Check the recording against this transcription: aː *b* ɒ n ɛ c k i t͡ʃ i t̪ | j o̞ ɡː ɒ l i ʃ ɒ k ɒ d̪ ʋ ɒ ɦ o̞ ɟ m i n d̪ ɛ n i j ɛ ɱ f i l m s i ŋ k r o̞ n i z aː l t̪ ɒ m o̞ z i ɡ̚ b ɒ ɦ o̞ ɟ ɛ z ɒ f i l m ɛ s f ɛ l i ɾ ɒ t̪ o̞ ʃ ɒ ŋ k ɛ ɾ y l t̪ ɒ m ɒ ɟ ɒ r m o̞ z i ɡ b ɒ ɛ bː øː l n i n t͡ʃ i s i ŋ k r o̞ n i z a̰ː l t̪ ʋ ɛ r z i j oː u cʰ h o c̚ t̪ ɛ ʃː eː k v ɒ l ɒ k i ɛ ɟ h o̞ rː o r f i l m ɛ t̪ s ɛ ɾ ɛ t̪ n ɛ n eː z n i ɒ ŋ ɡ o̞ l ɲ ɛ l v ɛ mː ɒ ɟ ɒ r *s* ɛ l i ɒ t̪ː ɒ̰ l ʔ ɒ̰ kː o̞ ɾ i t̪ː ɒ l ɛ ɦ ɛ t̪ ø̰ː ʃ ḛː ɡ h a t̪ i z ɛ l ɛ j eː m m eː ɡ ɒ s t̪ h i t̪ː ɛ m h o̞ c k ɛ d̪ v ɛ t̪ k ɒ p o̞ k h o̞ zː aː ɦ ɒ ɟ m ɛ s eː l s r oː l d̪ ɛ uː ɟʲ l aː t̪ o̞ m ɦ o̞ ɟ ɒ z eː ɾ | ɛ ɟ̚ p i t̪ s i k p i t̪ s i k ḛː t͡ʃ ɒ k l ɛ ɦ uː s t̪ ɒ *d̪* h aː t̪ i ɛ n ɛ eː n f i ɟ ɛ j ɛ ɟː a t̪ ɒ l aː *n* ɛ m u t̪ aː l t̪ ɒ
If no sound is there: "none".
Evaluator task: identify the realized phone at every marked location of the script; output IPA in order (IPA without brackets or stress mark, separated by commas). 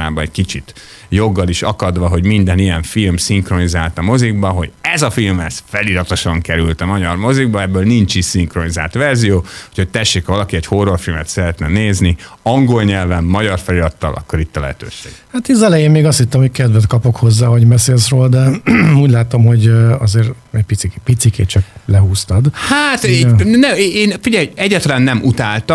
b, f, d̪, nː